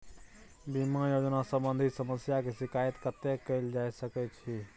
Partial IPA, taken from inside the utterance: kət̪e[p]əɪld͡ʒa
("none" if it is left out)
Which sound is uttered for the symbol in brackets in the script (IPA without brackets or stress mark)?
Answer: k